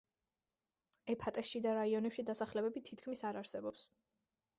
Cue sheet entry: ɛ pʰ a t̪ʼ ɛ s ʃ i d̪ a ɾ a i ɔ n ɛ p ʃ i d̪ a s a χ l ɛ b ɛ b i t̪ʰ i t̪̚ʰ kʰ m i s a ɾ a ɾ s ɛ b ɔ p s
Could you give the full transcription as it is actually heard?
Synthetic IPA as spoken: ɛ pʰ a t̪ʼ ɛ s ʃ i d̪ a ɾ a i ɔ n ɛ p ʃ i d̪ a s a χ l ɛ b ɛ b i t̪ʰ i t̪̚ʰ kʰ m i s a ɾ a ɾ s ɛ b ɔ p s